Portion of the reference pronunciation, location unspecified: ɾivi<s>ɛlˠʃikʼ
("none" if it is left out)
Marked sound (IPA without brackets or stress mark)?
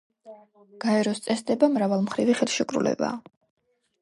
χ